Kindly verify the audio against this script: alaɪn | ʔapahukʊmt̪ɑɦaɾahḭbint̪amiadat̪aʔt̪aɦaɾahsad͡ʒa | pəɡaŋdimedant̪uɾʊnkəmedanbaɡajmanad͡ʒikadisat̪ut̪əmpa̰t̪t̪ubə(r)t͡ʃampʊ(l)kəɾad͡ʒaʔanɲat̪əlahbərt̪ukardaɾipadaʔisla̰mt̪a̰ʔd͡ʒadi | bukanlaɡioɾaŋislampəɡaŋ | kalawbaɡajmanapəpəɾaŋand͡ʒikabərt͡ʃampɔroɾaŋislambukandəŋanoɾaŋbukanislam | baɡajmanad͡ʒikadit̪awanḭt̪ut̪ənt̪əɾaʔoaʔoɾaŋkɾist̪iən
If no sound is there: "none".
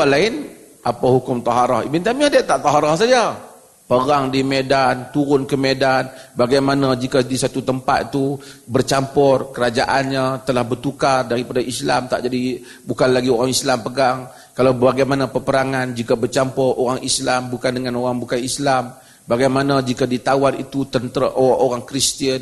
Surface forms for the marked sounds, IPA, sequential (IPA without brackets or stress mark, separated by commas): r, r